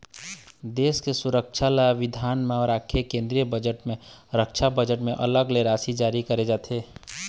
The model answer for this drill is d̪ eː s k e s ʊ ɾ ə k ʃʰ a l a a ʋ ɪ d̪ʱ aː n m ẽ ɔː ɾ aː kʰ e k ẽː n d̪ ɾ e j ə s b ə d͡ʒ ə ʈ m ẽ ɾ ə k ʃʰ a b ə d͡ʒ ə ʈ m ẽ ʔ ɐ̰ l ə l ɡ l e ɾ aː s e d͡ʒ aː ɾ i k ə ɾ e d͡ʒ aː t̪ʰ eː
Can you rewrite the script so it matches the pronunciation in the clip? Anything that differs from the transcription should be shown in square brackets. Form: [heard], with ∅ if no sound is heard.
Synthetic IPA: d̪ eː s k e s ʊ ɾ ə k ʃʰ a l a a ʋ ɪ d̪ʱ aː n m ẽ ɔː ɾ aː kʰ e k ẽː n d̪ ɾ [i] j ə [∅] b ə d͡ʒ ə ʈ m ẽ ɾ ə k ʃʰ a b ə d͡ʒ ə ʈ m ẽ ʔ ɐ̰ l ə [∅] ɡ l e ɾ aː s [i] d͡ʒ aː ɾ i k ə ɾ e d͡ʒ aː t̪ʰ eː

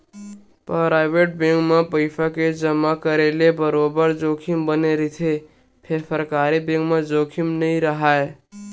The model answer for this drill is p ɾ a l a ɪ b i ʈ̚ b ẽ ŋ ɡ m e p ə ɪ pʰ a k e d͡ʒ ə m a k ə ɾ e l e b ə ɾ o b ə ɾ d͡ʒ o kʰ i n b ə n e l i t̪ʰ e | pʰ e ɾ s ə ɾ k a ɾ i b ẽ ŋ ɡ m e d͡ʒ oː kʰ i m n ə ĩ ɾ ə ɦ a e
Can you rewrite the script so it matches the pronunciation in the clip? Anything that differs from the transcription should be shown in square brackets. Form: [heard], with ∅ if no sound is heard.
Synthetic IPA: p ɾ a [ɾ] a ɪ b [e] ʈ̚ b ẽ ŋ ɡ m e p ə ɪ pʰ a k e d͡ʒ ə m a k ə ɾ e l e b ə ɾ o b ə ɾ d͡ʒ o kʰ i [m] b ə n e [ɾ] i t̪ʰ e | pʰ e ɾ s ə ɾ k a ɾ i b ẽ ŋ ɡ m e d͡ʒ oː kʰ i m n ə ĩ ɾ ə ɦ a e

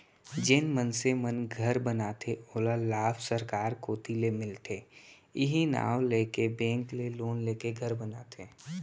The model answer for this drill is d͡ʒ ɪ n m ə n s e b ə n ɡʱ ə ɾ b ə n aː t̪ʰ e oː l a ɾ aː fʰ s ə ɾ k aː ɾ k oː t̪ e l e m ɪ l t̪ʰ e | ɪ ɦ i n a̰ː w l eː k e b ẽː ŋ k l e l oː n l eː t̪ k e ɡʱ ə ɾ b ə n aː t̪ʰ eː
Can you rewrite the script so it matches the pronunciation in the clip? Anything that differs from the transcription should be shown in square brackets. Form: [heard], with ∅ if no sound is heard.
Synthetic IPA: d͡ʒ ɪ n m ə n s e [m] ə n ɡʱ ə ɾ b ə n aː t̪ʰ e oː l a [l] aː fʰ s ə ɾ k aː ɾ k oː t̪ [i] l e m ɪ l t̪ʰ e | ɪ ɦ i n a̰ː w l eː k e b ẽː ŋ k l e l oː n l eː [∅] k e ɡʱ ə ɾ b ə n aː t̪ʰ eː

